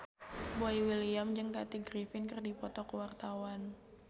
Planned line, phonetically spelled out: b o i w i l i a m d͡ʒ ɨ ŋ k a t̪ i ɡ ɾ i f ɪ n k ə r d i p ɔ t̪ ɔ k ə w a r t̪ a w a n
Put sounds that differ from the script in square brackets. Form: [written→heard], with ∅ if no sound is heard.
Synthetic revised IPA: b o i w i l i a m d͡ʒ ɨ ŋ k a t̪ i ɡ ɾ i f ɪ n k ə r d i p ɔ t̪ ɔ k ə w a r t̪ a w a n